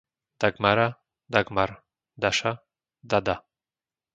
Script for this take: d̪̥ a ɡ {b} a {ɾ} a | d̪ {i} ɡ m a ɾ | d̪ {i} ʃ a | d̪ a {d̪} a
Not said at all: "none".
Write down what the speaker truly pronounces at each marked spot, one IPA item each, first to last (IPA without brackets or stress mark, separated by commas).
m, ɾ, a, a, d̪